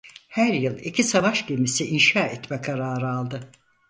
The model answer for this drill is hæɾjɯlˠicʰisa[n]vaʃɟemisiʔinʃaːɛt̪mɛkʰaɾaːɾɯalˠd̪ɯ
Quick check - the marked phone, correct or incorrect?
incorrect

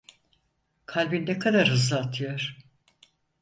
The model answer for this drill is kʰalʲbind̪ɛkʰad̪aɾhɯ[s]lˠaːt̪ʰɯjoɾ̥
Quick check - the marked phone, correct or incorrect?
incorrect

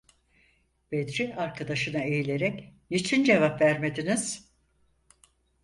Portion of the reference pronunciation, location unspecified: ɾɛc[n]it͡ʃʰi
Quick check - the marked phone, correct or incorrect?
correct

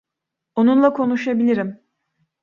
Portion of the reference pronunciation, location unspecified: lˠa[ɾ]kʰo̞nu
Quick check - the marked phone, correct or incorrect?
incorrect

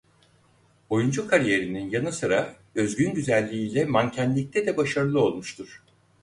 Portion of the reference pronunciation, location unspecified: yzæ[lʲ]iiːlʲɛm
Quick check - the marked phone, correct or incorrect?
incorrect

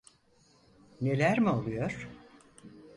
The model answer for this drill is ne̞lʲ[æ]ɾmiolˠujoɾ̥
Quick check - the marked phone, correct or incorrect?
correct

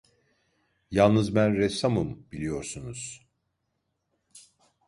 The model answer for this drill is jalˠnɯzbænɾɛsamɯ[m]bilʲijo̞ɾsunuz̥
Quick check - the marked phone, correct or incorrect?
correct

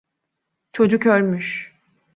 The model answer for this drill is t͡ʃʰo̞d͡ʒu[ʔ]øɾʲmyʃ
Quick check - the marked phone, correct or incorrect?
incorrect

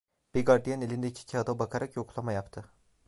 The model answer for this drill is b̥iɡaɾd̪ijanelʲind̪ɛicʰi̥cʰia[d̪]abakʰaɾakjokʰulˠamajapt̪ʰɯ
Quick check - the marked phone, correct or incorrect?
correct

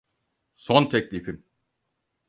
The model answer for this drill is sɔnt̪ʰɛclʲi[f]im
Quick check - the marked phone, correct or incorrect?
correct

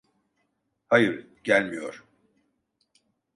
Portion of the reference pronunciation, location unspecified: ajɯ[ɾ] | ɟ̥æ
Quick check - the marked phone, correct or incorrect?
correct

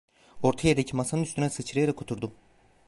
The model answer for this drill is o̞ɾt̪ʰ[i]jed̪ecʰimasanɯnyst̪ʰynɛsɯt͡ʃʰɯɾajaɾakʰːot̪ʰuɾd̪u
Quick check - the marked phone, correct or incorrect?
incorrect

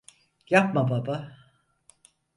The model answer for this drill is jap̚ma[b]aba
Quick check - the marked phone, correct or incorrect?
correct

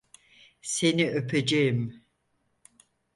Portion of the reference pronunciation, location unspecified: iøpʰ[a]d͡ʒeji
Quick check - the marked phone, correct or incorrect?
incorrect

